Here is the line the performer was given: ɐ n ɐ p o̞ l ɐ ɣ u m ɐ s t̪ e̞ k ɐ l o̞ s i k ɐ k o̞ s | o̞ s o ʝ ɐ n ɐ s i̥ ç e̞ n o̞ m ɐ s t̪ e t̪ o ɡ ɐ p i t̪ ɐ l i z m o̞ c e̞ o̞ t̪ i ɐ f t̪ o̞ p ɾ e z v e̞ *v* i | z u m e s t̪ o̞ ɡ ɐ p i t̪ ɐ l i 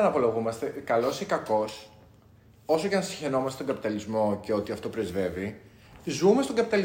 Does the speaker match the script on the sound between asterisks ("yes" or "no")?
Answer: yes